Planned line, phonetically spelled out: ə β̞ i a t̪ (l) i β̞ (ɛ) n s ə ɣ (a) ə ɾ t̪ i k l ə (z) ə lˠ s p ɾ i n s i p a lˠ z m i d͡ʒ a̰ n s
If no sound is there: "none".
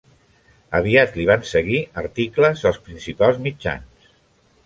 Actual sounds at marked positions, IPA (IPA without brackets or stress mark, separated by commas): l, a, i, z